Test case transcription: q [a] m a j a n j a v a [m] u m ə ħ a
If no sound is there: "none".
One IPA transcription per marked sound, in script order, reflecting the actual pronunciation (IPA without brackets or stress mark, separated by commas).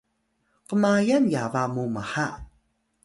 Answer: ə, m